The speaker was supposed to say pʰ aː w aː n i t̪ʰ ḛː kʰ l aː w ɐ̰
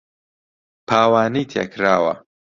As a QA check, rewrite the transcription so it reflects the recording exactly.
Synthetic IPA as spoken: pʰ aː w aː n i t̪ʰ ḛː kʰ ɾ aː w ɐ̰